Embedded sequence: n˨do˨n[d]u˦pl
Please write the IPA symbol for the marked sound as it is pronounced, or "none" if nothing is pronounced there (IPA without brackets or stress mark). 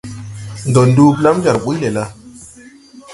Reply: d